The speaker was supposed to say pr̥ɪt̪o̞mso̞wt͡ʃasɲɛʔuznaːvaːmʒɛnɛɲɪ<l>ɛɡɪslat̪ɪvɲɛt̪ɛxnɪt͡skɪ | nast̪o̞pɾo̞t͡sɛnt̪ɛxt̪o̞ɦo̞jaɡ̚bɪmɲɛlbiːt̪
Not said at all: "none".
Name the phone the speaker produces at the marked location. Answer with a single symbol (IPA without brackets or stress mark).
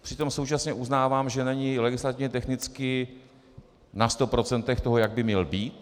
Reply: l